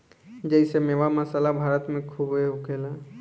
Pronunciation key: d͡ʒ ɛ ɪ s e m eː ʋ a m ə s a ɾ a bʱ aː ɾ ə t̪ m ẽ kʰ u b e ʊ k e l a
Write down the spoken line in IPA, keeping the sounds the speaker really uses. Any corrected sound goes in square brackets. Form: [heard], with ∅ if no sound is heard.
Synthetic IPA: d͡ʒ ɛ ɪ s e m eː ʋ a m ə s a [l] a bʱ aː ɾ ə t̪ m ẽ kʰ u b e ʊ k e l a